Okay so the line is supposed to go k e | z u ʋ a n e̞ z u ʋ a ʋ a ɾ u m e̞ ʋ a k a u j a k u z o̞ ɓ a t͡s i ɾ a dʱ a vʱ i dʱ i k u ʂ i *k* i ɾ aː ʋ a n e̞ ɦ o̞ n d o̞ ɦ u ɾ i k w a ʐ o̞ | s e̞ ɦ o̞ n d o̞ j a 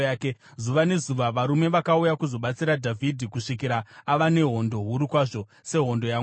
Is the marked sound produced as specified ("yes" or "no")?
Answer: yes